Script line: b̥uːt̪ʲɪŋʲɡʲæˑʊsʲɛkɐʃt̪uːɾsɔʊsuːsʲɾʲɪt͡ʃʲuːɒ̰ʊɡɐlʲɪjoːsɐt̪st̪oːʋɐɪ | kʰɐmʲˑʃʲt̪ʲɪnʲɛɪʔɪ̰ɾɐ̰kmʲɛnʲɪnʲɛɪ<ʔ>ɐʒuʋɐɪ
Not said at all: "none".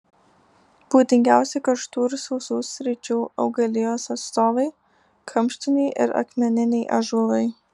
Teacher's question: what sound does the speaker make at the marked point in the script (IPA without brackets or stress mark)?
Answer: ʔ